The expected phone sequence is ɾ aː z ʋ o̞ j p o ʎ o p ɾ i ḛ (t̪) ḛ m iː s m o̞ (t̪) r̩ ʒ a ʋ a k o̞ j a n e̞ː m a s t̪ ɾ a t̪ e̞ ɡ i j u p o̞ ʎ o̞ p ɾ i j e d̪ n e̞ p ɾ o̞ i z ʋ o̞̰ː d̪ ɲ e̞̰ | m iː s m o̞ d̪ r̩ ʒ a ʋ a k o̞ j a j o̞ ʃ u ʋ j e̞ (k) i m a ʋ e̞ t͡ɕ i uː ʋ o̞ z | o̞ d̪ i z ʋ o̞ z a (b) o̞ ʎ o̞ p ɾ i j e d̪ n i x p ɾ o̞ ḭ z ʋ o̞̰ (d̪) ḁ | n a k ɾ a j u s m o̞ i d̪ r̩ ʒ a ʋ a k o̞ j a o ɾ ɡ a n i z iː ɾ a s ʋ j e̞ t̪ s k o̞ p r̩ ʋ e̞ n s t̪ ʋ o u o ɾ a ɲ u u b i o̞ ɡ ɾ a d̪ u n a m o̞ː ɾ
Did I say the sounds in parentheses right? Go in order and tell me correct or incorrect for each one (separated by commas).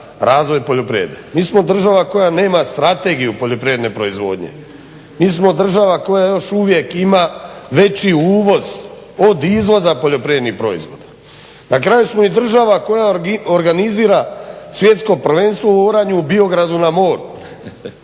incorrect, incorrect, correct, incorrect, correct